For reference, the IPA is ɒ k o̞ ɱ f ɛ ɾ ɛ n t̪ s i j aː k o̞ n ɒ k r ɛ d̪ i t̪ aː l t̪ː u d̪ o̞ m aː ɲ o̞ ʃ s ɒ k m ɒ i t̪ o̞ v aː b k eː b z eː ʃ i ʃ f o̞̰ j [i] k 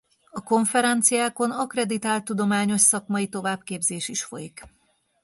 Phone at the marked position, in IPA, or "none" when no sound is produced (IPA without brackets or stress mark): i